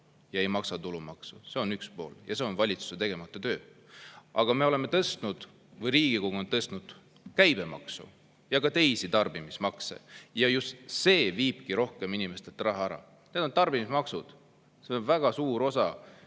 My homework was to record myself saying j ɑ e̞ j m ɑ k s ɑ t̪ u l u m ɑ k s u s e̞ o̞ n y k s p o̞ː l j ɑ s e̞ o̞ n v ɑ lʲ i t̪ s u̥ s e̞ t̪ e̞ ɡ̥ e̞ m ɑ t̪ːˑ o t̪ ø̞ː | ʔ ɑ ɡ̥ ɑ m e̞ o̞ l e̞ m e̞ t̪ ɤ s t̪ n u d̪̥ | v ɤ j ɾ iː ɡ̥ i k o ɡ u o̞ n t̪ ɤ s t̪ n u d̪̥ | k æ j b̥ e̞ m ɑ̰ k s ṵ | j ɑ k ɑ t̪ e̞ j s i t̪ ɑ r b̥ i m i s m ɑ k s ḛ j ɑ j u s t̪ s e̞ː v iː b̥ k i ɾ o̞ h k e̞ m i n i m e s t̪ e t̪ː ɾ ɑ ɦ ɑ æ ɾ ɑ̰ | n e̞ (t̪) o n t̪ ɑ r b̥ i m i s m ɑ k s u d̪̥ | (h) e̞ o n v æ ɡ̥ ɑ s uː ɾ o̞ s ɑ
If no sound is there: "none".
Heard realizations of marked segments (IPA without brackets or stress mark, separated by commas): d̪, s